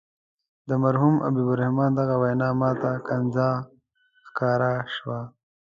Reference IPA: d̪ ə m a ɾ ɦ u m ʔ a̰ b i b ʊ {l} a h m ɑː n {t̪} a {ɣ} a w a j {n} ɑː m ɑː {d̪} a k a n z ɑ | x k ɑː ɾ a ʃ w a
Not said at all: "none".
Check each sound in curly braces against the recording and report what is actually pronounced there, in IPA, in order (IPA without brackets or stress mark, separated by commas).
ɾ, d̪, ɣ, n, t̪